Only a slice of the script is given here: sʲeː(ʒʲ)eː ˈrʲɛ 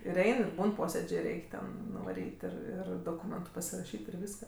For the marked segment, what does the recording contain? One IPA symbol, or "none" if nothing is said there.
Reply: d͡ʒʲ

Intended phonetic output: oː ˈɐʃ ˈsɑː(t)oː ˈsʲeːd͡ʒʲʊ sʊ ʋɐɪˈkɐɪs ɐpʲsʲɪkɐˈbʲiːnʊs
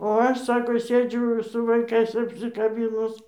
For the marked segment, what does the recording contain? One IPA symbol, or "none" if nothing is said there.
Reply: k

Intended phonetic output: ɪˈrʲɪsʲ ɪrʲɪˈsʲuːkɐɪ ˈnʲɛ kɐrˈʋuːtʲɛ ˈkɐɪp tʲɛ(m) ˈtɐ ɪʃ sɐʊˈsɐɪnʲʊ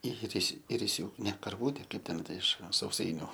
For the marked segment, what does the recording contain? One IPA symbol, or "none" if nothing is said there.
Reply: n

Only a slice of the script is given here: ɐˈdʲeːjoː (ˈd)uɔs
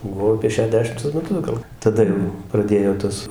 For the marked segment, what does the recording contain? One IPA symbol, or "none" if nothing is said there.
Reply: t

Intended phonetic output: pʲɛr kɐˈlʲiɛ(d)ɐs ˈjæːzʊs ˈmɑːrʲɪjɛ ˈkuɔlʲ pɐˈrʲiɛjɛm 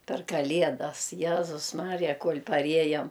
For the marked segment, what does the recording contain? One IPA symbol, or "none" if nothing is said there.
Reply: d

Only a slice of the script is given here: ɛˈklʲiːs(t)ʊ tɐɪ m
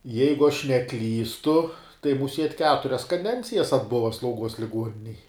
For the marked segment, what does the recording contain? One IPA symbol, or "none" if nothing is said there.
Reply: t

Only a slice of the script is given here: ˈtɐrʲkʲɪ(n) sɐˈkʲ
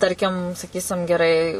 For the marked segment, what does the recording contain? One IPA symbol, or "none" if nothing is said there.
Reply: m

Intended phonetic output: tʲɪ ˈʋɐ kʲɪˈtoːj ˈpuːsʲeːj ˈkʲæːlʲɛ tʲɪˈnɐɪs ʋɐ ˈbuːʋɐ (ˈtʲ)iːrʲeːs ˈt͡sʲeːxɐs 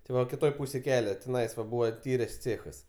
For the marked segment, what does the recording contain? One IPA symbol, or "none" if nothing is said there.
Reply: tʲ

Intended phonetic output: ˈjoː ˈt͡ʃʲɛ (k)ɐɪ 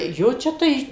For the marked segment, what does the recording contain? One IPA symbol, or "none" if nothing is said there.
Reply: t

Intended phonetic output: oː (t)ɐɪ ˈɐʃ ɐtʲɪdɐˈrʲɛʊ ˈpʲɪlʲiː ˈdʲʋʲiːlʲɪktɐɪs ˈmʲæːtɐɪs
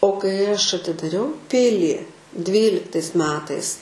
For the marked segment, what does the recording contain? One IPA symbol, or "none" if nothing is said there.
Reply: k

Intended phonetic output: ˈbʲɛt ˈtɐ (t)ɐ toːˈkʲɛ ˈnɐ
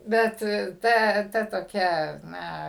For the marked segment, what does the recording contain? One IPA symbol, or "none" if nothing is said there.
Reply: t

